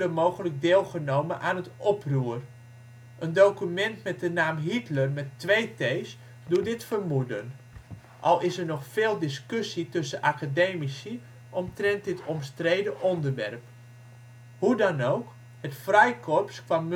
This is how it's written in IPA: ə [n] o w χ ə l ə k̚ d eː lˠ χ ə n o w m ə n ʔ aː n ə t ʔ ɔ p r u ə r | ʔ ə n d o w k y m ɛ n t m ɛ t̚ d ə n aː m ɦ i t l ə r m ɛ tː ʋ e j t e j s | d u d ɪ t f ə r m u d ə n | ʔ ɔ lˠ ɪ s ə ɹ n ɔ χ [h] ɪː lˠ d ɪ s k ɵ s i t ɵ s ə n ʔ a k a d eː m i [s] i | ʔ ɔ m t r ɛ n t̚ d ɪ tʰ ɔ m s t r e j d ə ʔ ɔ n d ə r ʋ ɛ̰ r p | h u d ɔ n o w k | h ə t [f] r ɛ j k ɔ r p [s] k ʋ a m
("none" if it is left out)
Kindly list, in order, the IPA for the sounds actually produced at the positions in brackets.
m, f, s, f, s

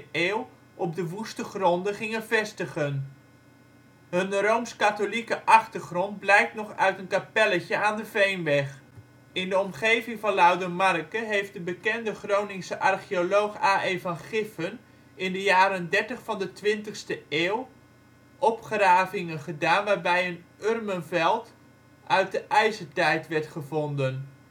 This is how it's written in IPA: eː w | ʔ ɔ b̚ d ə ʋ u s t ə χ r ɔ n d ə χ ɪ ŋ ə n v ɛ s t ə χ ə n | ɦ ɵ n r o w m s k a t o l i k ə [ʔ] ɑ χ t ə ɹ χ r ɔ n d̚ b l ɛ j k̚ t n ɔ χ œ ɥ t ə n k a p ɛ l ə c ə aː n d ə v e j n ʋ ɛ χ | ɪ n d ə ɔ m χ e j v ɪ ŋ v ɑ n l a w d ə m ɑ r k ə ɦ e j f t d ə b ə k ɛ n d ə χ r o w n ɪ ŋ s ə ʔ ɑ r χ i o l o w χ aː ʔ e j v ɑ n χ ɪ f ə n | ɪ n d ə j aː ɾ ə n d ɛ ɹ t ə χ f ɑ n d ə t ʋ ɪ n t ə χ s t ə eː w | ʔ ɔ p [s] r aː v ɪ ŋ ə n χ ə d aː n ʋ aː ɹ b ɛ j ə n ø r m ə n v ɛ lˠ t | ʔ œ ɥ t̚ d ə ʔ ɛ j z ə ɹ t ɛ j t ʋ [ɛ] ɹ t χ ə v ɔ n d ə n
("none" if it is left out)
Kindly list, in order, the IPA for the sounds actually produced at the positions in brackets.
ʔ, χ, ɛ

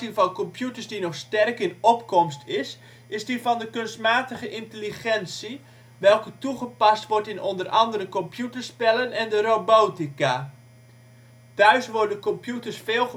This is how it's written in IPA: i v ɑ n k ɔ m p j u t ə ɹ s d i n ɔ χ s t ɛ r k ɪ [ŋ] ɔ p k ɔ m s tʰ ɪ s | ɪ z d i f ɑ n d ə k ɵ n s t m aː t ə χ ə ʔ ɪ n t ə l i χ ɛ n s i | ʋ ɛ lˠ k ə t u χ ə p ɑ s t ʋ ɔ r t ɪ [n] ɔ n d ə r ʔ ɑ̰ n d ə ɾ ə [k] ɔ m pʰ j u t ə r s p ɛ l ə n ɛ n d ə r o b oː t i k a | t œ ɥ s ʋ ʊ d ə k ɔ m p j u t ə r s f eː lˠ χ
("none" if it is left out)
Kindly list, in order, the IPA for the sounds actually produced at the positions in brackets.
n, n, k

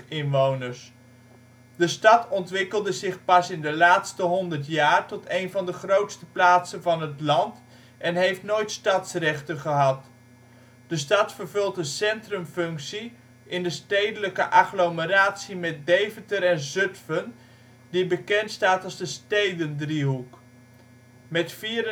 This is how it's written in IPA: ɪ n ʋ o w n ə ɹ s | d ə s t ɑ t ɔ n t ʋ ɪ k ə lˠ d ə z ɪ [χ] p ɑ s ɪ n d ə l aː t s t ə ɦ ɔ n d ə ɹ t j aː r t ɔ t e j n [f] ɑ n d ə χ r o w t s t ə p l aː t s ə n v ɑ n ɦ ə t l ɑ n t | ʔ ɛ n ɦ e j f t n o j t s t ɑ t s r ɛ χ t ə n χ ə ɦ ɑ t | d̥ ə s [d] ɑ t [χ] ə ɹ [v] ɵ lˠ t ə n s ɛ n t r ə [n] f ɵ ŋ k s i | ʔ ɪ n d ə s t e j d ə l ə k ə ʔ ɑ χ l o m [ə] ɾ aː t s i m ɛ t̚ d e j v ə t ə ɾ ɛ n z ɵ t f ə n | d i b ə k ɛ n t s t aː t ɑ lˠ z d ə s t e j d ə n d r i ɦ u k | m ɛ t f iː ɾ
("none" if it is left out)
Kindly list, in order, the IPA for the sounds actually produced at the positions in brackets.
χ, v, t, f, v, m, ə

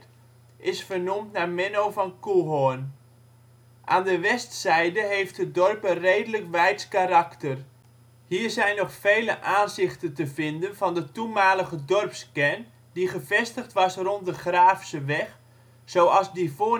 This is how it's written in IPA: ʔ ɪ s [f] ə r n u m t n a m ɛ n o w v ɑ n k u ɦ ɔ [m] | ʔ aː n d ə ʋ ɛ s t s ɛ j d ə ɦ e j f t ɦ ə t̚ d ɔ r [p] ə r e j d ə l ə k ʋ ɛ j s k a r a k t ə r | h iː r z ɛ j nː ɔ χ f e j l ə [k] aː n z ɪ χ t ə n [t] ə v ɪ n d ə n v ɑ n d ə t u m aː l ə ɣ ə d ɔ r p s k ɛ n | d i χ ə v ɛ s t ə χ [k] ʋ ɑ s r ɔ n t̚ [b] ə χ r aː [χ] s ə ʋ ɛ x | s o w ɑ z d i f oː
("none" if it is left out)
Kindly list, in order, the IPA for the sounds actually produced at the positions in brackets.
f, n, p, ʔ, t, t, d, f

